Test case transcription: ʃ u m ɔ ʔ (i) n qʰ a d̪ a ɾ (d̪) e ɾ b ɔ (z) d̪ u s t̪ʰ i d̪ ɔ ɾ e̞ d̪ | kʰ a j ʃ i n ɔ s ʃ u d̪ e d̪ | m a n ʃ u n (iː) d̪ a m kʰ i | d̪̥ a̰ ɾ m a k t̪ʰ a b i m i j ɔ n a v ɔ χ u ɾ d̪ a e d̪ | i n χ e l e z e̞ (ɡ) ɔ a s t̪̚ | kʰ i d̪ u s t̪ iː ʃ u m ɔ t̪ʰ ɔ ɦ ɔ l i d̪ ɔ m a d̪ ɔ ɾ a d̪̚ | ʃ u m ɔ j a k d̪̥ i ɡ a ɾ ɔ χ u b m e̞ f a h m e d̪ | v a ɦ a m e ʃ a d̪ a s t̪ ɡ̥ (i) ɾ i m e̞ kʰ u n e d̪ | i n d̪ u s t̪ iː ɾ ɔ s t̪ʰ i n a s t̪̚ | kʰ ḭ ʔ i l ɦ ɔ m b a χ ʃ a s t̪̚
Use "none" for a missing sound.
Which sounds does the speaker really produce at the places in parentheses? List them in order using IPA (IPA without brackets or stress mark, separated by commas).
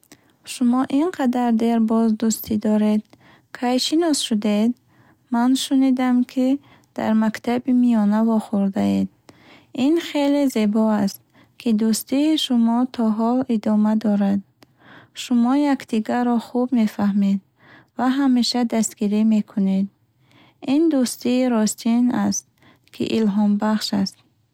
i, d̪, z, i, b, i